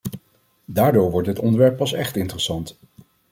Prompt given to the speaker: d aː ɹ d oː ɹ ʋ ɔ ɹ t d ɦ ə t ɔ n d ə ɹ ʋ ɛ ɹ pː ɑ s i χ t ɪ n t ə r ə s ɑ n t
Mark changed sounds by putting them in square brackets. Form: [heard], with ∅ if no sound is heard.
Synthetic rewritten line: d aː ɹ d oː ɹ ʋ ɔ ɹ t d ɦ ə t ɔ n d ə ɹ ʋ ɛ ɹ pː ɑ s [ɛ] χ t ɪ n t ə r ə s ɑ n t